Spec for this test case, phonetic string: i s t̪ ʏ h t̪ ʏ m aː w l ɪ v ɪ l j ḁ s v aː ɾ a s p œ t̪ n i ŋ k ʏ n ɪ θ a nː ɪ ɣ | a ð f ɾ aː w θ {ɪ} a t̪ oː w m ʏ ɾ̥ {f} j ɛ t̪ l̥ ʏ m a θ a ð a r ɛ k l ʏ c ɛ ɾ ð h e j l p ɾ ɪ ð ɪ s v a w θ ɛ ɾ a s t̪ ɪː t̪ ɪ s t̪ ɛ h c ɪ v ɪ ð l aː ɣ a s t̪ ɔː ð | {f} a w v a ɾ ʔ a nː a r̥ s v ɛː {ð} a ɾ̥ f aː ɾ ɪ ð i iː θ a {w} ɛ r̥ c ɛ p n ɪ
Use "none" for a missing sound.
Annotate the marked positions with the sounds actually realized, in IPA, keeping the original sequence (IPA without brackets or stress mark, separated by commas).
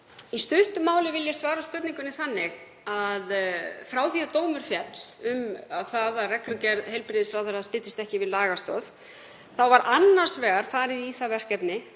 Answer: i, f, θ, ɣ, v